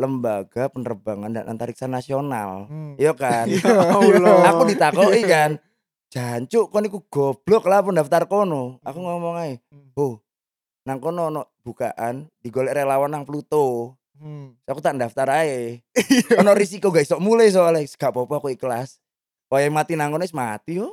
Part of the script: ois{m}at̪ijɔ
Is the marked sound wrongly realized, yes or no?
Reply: no